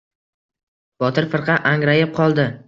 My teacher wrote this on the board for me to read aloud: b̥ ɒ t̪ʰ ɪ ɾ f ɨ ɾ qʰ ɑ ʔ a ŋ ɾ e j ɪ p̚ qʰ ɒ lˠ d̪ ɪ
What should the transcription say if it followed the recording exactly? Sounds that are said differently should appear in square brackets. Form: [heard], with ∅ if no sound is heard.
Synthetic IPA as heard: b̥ ɒ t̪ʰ ɪ ɾ f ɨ ɾ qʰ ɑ ʔ a ŋ ɾ [a] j ɪ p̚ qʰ ɒ lˠ d̪ ɪ